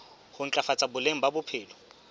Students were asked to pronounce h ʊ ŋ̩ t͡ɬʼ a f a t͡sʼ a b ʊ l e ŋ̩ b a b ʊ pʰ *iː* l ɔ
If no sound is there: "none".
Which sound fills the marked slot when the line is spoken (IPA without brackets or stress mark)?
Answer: ɪː